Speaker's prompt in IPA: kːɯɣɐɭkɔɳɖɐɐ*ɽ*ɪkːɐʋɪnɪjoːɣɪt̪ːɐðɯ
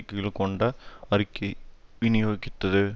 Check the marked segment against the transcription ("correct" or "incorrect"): incorrect